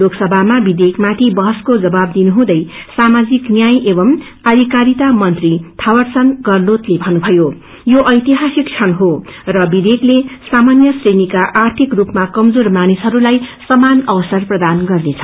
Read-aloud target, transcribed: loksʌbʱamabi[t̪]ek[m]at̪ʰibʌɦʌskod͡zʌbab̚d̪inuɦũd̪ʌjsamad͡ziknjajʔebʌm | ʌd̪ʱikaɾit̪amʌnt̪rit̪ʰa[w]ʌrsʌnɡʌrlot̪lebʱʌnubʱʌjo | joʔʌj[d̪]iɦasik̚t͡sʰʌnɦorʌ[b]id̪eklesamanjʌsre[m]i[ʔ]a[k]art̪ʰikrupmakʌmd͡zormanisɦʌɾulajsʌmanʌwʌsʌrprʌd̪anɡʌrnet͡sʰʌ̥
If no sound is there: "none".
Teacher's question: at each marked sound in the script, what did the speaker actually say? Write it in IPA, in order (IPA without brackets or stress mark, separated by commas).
d̪, m, w, t̪, b, n, k, ʔ